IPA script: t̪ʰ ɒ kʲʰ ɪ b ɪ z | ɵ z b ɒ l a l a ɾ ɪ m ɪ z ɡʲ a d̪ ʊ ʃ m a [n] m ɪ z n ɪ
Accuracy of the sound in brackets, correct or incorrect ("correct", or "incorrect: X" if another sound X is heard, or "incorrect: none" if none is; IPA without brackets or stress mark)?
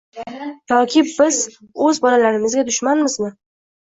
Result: correct